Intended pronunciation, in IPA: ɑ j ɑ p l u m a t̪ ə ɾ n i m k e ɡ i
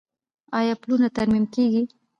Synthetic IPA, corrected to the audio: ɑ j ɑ p l u n a t̪ a ɾ m i m k e ɡ i